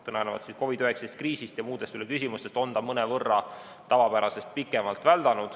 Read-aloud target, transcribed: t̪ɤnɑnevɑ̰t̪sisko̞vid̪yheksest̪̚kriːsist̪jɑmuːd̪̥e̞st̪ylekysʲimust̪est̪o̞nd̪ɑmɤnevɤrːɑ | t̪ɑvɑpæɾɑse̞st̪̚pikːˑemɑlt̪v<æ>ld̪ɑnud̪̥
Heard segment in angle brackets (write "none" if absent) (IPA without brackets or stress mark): æ